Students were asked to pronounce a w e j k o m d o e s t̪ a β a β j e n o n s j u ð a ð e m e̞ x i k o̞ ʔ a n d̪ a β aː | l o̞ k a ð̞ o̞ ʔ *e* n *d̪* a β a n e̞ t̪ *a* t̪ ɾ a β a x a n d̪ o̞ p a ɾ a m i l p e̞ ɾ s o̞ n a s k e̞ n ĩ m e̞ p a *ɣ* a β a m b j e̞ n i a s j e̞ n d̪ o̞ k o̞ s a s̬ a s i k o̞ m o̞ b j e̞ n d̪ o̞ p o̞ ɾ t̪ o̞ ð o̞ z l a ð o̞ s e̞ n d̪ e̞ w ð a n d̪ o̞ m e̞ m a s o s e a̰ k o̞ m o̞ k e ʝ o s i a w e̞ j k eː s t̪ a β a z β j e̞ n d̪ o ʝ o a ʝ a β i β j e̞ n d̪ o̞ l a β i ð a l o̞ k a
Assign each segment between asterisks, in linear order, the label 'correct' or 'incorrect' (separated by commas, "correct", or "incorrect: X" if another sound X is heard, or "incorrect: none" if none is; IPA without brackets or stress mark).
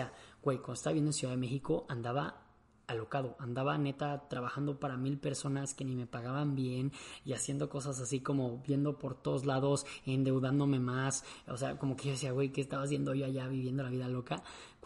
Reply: incorrect: a, correct, correct, correct